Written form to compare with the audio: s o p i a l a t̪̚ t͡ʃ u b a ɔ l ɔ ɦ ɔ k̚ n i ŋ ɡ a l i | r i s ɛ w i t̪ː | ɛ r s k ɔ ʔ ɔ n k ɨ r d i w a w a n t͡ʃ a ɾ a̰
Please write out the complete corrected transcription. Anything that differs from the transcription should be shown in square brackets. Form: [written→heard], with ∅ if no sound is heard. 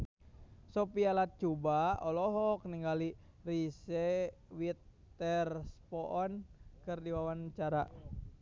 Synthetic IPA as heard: s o p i a l a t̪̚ t͡ʃ u b a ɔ l ɔ ɦ ɔ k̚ n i ŋ ɡ a l i | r i s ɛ w i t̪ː | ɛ r s [k→p] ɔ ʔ ɔ n k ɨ r d i w a w a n t͡ʃ a ɾ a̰